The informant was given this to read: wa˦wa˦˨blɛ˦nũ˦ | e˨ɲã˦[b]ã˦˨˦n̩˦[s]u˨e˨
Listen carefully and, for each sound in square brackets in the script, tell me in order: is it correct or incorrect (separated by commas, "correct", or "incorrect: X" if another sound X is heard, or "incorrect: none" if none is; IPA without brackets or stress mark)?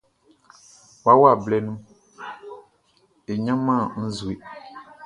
incorrect: m, incorrect: z